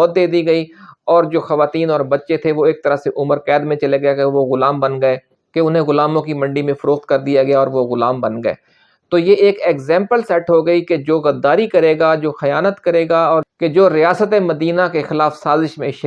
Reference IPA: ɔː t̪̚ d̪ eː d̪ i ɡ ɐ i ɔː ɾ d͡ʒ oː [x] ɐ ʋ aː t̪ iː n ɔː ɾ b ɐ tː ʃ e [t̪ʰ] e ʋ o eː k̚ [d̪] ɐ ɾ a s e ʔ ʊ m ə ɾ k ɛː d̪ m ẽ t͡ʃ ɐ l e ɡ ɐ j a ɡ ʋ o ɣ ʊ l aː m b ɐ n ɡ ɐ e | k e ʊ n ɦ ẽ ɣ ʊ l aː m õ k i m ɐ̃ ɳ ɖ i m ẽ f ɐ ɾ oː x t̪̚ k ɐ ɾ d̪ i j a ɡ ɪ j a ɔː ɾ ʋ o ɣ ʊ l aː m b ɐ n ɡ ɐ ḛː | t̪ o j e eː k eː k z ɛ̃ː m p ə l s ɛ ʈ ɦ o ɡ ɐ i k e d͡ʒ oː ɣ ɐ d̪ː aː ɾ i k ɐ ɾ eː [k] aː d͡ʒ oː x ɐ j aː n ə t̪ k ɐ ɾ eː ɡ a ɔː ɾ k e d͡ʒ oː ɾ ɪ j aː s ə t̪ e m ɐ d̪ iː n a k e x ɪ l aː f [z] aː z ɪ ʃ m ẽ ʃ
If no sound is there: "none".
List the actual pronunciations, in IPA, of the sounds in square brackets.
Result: x, t̪ʰ, t̪, ɡ, s

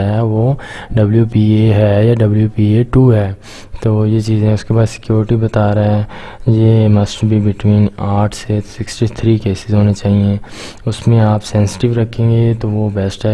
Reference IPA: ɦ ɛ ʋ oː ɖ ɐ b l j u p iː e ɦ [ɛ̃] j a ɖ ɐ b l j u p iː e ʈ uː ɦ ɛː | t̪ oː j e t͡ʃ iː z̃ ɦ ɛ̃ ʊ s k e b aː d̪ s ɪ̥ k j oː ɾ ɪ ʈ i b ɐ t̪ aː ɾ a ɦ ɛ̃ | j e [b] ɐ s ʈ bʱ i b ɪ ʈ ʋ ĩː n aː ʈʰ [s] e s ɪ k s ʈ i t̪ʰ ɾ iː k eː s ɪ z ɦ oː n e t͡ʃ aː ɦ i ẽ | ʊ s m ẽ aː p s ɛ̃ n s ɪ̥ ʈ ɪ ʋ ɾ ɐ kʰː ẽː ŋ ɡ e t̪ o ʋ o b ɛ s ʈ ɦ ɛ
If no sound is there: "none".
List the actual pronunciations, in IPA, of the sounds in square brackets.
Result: ɛ, m, s

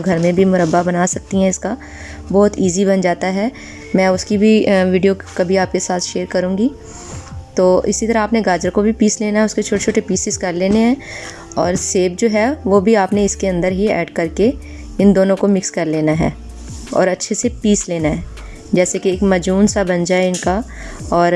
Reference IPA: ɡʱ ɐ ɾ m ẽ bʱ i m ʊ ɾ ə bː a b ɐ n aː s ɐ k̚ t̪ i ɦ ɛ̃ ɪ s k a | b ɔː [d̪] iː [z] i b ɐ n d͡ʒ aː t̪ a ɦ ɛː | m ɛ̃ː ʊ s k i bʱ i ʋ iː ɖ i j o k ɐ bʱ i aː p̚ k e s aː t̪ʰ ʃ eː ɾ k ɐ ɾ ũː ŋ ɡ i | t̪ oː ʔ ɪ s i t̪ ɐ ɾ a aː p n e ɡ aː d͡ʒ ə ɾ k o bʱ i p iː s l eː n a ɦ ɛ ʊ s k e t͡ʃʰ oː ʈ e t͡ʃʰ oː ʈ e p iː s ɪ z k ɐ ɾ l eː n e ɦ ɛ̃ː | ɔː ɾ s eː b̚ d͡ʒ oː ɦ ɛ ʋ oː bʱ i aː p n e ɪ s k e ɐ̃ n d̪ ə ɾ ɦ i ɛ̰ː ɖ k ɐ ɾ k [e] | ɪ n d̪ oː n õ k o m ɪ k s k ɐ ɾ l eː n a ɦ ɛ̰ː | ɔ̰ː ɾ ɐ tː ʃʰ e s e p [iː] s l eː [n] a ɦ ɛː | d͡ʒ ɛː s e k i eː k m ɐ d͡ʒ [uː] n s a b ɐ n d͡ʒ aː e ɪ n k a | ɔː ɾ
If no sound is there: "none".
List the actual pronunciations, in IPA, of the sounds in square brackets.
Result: t̪, z, e, iː, n, uː

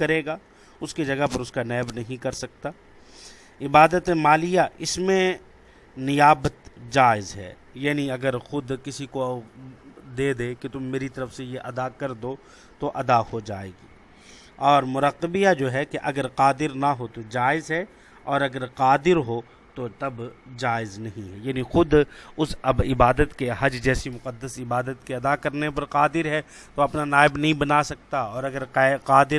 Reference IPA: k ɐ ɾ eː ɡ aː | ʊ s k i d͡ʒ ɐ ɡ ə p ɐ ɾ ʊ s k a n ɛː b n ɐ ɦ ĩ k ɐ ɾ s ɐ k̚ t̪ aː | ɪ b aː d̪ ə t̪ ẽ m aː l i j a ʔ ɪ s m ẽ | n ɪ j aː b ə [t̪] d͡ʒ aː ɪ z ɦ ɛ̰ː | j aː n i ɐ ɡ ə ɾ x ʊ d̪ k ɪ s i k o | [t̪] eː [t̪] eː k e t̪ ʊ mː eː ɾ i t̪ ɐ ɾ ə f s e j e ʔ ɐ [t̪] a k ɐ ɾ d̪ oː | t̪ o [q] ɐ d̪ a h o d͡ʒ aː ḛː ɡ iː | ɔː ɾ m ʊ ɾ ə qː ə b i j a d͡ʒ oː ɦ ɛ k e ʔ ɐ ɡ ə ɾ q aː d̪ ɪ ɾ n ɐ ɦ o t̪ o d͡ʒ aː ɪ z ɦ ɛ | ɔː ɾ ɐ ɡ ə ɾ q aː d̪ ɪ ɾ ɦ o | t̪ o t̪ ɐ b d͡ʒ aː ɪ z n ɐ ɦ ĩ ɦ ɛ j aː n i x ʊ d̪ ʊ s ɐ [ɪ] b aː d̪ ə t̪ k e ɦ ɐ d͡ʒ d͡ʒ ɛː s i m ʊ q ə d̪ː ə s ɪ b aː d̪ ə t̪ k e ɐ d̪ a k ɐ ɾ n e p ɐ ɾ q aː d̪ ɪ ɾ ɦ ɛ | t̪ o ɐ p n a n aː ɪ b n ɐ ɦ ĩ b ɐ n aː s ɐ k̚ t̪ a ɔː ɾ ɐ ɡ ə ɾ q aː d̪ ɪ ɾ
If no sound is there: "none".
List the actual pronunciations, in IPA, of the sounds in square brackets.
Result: t̪, d̪, d̪, d̪, ʔ, ɪ

